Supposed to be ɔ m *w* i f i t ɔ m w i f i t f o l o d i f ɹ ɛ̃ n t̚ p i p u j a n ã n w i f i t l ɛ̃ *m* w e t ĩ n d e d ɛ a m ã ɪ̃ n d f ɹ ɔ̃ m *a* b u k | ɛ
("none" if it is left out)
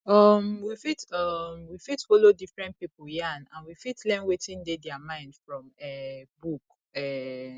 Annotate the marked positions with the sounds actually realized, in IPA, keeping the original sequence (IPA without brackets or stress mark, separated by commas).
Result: w, n, ɛ